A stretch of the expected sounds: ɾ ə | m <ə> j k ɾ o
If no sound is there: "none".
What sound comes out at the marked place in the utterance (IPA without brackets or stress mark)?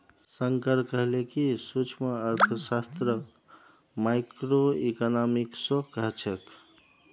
a